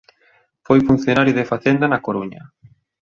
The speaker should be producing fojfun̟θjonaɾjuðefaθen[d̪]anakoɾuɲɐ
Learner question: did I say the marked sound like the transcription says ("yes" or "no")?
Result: yes